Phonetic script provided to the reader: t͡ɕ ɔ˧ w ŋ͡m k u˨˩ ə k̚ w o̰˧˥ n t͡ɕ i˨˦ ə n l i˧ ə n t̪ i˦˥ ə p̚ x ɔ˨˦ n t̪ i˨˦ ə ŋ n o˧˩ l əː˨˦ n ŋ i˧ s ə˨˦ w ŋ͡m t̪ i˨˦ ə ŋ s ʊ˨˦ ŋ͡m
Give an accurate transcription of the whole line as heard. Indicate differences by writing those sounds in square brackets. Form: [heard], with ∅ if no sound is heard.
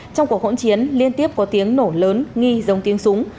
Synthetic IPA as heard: t͡ɕ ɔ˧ w ŋ͡m k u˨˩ ə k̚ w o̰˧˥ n t͡ɕ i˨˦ ə n l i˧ ə n t̪ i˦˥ ə p̚ [k] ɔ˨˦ [∅] t̪ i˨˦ ə ŋ n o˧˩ l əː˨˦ n ŋ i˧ [z] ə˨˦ w ŋ͡m t̪ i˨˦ ə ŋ s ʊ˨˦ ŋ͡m